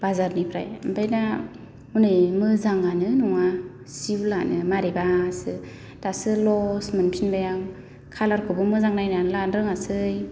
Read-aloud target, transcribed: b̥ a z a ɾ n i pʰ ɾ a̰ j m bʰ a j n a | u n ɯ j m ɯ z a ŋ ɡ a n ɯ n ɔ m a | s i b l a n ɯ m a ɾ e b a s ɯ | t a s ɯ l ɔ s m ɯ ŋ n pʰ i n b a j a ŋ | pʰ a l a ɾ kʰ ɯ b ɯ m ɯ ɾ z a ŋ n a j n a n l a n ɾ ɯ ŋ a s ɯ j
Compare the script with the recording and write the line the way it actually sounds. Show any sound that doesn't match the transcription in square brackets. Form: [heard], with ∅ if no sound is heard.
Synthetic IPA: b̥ a z a ɾ n i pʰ ɾ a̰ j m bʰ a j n a | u n ɯ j m ɯ z a ŋ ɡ a n ɯ n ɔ [ŋ] a | s i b l a n ɯ m a ɾ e b a s ɯ | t a s ɯ l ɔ s m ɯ [∅] n pʰ i n b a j a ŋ | [kʰ] a l a ɾ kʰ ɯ b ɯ m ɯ [∅] z a ŋ n a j n a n l a n ɾ ɯ ŋ a s ɯ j